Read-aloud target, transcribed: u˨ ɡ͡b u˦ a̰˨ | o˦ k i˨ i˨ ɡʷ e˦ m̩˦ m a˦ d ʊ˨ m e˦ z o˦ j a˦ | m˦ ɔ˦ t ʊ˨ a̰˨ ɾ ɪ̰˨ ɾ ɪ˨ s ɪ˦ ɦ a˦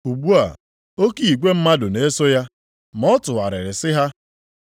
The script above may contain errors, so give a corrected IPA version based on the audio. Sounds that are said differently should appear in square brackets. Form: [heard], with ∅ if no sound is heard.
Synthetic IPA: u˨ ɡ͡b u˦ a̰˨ | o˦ k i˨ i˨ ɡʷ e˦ m̩˦ m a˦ d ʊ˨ [n] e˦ [s] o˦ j a˦ | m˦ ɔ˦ t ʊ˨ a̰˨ ɾ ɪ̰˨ ɾ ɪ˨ s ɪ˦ ɦ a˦